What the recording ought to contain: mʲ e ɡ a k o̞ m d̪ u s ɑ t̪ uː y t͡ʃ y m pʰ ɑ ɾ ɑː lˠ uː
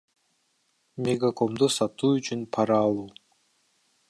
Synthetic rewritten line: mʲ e ɡ a k o̞ m d̪ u s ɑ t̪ uː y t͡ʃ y n pʰ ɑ ɾ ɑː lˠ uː